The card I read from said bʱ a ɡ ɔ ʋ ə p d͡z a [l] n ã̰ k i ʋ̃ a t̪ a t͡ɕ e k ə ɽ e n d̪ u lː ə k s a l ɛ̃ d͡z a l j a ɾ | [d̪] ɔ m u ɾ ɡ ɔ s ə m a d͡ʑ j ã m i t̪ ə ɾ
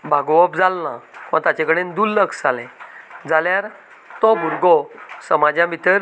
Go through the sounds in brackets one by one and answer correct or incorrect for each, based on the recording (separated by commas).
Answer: correct, incorrect